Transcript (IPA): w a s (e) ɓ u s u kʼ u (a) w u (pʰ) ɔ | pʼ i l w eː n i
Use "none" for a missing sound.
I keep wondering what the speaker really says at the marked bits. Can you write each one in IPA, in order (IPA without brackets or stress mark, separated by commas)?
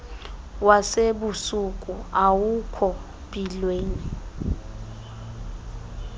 e, a, kʰ